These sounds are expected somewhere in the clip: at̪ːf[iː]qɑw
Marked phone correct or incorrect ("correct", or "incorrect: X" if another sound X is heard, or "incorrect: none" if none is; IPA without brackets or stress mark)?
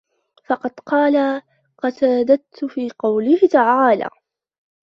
correct